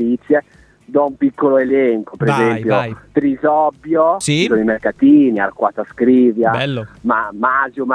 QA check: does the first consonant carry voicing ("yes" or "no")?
no